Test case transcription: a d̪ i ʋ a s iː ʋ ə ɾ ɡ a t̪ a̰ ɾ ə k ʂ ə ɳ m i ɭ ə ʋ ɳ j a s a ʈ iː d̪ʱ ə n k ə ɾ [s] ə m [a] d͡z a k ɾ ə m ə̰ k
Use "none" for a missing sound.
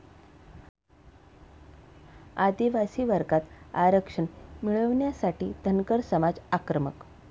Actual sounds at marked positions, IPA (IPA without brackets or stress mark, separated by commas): s, a